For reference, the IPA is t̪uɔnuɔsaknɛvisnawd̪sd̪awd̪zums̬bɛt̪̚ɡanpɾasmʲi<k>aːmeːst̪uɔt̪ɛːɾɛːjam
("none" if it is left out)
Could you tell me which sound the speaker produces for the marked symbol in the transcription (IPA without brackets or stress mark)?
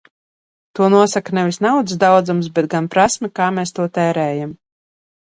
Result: k